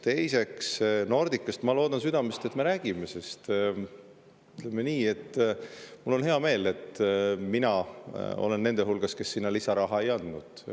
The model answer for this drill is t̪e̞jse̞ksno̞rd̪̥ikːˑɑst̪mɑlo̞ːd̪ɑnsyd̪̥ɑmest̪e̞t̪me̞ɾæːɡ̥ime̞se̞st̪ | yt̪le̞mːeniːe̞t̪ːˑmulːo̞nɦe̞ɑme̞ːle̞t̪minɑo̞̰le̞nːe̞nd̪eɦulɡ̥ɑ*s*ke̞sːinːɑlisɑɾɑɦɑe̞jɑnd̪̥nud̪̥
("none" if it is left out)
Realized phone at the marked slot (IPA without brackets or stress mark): s